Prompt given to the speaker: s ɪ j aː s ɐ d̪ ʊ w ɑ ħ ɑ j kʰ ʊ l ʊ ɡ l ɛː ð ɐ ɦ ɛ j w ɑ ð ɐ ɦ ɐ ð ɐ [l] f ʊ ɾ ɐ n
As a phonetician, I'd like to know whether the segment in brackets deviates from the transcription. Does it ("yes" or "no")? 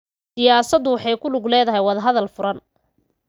no